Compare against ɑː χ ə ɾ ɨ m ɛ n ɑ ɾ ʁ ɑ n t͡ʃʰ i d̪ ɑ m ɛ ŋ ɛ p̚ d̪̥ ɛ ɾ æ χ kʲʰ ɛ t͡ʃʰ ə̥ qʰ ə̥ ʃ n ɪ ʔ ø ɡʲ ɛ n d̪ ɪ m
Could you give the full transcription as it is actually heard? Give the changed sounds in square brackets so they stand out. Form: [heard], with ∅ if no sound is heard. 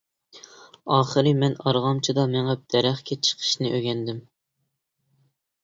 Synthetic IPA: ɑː χ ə ɾ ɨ m ɛ n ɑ ɾ ʁ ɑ [m] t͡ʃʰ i d̪ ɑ m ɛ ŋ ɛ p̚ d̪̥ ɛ ɾ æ χ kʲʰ ɛ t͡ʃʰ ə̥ qʰ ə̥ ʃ n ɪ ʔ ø ɡʲ ɛ n d̪ ɪ m